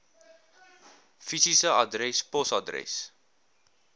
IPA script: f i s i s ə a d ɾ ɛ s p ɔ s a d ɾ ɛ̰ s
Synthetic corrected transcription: f i s i s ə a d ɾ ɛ s p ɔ s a d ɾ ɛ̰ s